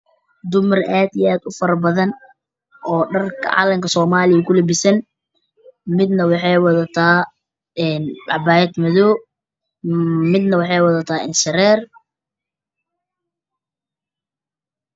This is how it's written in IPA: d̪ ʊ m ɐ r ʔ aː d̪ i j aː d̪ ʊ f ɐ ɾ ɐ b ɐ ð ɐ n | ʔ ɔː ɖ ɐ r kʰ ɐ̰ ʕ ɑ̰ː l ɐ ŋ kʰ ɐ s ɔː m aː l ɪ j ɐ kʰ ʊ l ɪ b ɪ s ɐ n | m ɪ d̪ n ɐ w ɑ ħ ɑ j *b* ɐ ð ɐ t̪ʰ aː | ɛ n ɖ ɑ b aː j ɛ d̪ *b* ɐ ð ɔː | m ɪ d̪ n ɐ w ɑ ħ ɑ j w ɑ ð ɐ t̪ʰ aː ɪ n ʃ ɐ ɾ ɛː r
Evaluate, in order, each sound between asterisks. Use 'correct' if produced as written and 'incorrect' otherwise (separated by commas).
incorrect, incorrect